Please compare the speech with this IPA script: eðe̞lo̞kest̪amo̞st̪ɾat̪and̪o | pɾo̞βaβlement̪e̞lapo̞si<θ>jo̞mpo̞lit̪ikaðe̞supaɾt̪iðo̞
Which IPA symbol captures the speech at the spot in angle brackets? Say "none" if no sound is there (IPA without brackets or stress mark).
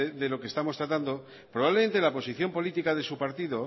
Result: θ